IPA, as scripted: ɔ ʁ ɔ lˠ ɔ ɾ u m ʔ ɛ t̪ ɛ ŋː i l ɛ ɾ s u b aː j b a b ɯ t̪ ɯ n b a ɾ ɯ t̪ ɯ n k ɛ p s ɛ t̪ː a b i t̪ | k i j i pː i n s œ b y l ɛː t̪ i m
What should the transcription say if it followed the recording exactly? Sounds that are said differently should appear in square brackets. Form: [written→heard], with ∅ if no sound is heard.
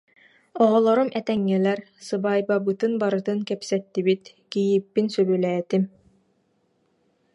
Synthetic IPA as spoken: ɔ ʁ ɔ lˠ ɔ ɾ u m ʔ ɛ t̪ ɛ ŋː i l ɛ ɾ s [u→ɯ] b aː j b a b ɯ t̪ ɯ n b a ɾ ɯ t̪ ɯ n k ɛ p s ɛ t̪ː [a→i] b i t̪ | k i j i pː i n s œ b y l ɛː t̪ i m